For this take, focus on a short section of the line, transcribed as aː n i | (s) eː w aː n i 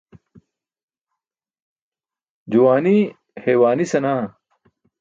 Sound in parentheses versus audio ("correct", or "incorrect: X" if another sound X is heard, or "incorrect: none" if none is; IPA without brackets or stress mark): incorrect: h